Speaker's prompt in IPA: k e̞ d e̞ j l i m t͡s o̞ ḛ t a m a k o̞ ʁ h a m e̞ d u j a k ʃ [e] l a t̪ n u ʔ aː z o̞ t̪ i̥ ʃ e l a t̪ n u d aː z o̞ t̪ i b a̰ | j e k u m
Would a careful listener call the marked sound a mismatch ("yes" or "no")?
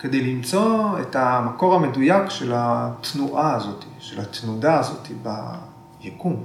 no